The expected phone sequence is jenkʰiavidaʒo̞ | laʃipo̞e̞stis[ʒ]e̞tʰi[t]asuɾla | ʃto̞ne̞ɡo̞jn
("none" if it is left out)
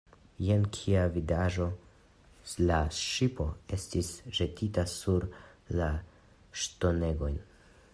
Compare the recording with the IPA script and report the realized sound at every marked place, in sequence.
ʒ, t

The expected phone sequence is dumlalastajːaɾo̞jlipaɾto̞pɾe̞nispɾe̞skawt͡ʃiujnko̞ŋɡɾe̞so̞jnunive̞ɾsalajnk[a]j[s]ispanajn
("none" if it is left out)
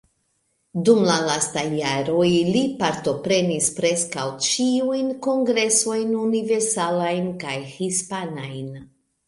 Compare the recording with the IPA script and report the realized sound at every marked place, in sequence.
a, h

